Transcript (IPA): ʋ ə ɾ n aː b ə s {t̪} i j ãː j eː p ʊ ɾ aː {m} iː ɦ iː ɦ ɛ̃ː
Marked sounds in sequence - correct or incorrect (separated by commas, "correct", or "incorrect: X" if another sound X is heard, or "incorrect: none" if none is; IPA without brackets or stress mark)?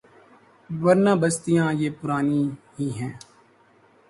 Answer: correct, incorrect: n